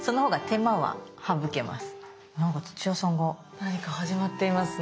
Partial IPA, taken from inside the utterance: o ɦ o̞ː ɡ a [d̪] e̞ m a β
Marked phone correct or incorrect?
incorrect